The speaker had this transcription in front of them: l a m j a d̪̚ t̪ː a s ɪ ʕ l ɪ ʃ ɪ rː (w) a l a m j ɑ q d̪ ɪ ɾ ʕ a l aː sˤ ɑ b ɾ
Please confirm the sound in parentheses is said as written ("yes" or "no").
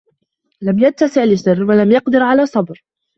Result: yes